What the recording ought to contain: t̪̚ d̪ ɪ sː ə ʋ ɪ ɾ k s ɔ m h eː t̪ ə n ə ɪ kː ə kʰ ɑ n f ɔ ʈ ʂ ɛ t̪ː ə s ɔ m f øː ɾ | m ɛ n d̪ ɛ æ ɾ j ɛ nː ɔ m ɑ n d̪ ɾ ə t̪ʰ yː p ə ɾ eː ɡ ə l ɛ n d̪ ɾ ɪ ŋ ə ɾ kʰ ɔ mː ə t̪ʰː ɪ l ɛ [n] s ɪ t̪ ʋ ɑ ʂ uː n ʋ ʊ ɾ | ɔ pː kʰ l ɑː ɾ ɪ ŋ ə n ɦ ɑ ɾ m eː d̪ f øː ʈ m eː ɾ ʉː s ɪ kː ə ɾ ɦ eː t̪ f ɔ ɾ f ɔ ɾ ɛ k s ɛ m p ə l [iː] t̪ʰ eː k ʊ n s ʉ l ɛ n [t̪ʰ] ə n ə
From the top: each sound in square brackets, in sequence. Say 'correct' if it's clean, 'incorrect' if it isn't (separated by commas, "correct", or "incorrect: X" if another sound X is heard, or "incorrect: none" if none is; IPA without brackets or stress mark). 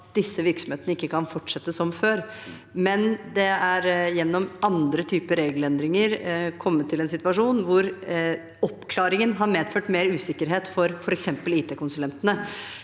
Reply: correct, correct, incorrect: t̪